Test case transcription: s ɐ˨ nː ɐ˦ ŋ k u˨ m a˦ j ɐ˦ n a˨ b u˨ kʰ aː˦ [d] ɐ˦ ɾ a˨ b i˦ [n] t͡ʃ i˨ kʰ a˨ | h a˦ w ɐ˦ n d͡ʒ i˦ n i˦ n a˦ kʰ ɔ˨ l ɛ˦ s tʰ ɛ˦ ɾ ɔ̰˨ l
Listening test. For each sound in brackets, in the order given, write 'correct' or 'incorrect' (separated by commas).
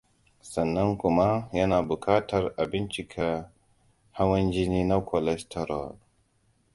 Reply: incorrect, correct